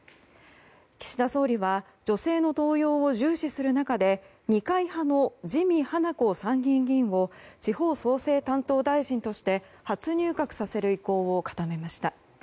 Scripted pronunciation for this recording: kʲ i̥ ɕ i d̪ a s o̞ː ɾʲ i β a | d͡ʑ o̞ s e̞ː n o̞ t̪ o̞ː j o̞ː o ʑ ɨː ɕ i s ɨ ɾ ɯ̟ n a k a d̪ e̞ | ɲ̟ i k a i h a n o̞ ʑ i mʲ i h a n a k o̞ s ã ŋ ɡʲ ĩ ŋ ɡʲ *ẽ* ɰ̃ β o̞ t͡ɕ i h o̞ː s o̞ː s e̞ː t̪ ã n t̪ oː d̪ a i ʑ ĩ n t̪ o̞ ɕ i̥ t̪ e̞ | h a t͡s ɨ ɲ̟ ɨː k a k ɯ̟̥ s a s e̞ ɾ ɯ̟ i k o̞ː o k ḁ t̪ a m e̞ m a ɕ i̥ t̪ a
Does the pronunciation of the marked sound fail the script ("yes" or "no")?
yes